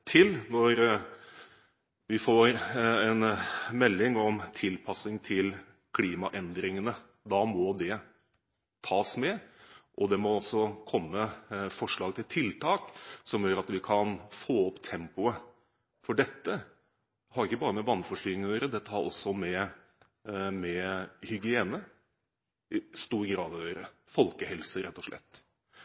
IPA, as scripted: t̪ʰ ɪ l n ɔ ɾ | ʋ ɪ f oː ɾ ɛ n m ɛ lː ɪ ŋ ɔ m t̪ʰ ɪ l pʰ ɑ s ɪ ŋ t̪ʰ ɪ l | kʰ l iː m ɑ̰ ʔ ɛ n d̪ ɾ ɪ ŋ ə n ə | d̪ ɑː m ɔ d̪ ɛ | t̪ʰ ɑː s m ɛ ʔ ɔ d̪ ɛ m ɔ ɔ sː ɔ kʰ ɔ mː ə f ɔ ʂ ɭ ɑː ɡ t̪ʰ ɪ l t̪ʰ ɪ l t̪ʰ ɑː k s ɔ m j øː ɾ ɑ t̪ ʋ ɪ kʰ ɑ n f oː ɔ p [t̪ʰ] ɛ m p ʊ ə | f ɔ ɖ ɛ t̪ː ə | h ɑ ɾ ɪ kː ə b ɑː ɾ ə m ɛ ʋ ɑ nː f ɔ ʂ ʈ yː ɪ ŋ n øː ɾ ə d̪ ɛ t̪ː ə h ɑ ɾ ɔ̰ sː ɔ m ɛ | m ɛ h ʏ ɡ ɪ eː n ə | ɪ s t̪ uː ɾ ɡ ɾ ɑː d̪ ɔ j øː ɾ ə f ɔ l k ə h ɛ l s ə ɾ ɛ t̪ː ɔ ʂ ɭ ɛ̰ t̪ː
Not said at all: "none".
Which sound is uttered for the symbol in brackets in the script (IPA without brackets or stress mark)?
t̪ʰ